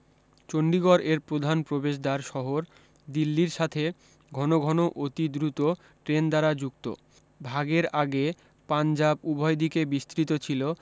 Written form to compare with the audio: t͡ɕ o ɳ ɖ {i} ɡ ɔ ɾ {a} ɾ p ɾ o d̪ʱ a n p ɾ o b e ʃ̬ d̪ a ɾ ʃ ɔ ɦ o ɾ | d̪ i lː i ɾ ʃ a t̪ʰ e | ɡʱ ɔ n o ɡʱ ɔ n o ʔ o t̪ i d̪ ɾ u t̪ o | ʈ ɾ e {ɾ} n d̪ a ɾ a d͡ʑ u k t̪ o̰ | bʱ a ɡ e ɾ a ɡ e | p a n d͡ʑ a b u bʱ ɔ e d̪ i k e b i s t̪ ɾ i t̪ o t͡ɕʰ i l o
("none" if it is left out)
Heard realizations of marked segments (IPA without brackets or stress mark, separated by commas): i, e, none